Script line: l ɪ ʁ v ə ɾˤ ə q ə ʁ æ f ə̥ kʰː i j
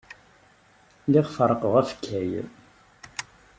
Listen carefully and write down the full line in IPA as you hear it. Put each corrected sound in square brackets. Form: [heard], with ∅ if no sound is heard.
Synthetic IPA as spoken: l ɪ ʁ [f] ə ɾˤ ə q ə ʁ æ f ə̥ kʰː [æ] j